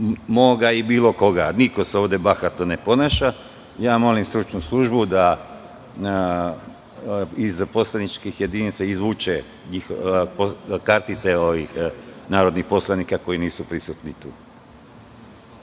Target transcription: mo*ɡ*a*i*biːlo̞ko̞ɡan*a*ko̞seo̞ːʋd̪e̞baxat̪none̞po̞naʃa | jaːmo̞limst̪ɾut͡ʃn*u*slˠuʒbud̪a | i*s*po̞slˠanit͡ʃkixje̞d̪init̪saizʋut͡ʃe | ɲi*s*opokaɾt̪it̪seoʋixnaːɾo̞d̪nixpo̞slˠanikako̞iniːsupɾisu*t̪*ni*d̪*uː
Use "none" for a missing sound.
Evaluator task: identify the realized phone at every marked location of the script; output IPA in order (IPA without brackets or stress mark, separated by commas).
ɡ, i, i, u, z, x, t̪, t̪